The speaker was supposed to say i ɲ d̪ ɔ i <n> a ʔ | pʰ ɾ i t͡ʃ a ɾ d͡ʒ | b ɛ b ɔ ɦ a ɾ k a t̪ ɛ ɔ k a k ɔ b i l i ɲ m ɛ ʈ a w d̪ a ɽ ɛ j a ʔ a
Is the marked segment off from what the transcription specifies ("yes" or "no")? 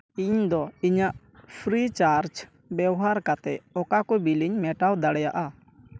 yes